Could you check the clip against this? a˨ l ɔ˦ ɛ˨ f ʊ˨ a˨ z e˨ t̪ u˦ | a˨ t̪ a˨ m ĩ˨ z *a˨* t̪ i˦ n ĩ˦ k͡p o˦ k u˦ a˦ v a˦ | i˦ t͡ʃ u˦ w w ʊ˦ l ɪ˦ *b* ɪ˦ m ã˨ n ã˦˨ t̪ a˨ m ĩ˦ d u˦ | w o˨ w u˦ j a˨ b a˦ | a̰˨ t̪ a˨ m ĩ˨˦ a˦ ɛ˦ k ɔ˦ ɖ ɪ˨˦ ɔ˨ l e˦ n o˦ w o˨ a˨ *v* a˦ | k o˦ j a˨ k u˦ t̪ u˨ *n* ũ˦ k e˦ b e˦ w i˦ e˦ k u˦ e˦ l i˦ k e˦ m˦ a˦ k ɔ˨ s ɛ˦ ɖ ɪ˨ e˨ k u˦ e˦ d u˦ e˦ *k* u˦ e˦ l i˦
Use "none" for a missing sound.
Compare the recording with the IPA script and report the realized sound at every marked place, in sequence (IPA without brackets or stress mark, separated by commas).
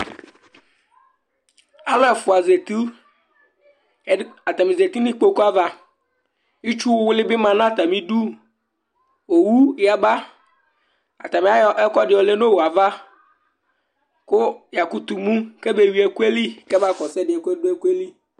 e˨, b, v, m, k